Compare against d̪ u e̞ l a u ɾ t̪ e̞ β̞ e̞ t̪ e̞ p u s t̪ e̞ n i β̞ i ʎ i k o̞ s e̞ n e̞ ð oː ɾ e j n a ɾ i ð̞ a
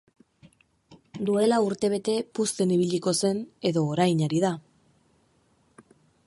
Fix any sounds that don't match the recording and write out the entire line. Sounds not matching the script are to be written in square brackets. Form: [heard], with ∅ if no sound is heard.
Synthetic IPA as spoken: d̪ u e̞ l a u ɾ t̪ e̞ β̞ e̞ t̪ e̞ p u s t̪ e̞ n i β̞ i ʎ i k o̞ s e̞ n e̞ ð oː ɾ [a] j [ɲ] a ɾ i ð̞ a

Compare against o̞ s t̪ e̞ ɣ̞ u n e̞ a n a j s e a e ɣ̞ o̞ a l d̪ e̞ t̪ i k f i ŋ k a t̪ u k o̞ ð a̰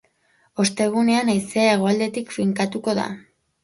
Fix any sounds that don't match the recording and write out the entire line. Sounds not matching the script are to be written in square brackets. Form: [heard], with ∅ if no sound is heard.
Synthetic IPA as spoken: o̞ s t̪ e̞ ɣ̞ u n e̞ a n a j s e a e ɣ̞ o̞ a l d̪ e̞ t̪ i k f i ŋ k a t̪ u k o̞ ð a̰

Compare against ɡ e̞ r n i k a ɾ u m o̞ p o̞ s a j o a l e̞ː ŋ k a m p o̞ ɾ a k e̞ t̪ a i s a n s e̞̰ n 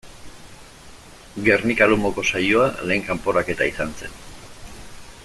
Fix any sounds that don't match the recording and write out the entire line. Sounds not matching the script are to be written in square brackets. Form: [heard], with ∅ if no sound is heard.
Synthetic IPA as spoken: ɡ e̞ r n i k a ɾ u m o̞ [k] o̞ s a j o a l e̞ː ŋ k a m p o̞ ɾ a k e̞ t̪ a i s a n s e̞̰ n

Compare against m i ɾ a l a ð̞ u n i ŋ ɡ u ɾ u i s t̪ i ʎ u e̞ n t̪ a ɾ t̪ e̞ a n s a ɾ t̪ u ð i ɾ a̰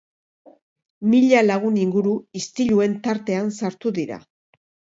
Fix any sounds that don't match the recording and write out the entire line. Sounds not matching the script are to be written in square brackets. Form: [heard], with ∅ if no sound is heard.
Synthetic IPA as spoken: m i [ʎ] a l a [ɣ̞] u n i ŋ ɡ u ɾ u i s t̪ i ʎ u e̞ n t̪ a ɾ t̪ e̞ a n s a ɾ t̪ u ð i ɾ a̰

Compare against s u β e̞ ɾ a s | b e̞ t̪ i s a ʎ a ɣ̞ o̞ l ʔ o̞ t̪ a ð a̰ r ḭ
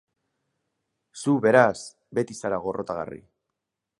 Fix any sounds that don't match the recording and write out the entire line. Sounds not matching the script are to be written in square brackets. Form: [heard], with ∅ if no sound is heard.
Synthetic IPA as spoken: s u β e̞ ɾ a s | b e̞ t̪ i s a [ɾ] a ɣ̞ o̞ [r] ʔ o̞ t̪ a [ɣ] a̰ r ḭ

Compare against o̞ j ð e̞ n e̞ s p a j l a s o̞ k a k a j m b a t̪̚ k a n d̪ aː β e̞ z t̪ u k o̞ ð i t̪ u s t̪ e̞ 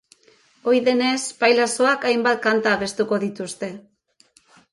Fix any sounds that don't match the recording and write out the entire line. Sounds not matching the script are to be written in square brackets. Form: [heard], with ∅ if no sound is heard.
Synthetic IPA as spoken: o̞ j ð e̞ n e̞ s p a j l a s o̞ [∅] a k a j m b a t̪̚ k a n [t̪] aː β e̞ [s] t̪ u k o̞ ð i t̪ u s t̪ e̞

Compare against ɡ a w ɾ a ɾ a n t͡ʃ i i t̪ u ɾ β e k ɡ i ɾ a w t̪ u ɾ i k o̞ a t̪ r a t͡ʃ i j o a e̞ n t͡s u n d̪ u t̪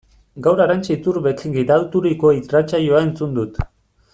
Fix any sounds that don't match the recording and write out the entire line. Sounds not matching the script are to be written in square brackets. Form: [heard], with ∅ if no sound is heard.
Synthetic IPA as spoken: ɡ a w ɾ a ɾ a n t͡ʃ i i t̪ u ɾ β e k ɡ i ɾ a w t̪ u ɾ i k o̞ [i] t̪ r a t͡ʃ [a] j o a e̞ n t͡s u n d̪ u t̪

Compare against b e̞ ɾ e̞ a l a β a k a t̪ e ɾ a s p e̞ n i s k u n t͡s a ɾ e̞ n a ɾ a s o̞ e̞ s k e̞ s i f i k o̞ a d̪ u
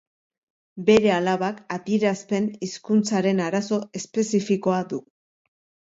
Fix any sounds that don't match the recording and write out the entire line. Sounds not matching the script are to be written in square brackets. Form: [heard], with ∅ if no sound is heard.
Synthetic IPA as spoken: b e̞ ɾ e̞ a l a β a k a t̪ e ɾ a s p e̞ n i s k u n t͡s a ɾ e̞ n a ɾ a s o̞ e̞ s [p] e̞ s i f i k o̞ a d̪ u

